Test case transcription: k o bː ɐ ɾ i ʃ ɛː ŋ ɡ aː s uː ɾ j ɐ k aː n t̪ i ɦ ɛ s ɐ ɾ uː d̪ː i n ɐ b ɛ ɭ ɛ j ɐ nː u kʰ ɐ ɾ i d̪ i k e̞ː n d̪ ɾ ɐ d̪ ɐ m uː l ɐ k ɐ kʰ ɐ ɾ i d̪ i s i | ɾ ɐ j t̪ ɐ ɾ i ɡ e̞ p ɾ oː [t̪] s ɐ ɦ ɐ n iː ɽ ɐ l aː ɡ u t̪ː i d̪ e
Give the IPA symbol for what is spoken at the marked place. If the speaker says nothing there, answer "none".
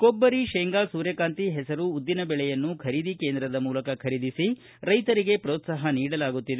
t̪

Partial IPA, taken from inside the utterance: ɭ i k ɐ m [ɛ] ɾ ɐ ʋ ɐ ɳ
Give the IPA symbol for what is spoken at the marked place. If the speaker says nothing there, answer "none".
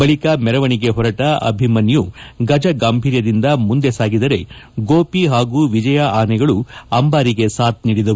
ɛ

